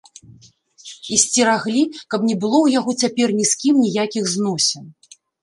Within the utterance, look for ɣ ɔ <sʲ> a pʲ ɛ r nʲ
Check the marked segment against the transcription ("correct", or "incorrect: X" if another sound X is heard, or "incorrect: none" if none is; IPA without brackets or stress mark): incorrect: t͡sʲ